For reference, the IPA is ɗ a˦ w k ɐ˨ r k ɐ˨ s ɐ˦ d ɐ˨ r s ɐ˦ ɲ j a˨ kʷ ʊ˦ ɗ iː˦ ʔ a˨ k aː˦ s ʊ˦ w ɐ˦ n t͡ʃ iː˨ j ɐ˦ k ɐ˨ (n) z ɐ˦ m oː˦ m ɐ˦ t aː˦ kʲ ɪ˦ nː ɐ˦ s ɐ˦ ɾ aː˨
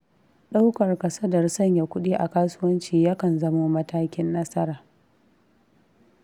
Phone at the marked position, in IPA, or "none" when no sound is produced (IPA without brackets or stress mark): n